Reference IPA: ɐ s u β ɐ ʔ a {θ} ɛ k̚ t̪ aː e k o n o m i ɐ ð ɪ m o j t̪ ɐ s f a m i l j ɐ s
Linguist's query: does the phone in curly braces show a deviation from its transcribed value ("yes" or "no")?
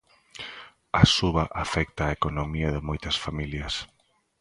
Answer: yes